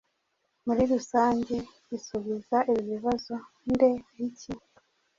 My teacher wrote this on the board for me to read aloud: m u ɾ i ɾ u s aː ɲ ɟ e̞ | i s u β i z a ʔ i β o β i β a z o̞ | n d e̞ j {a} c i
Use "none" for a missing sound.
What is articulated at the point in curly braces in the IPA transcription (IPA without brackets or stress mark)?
i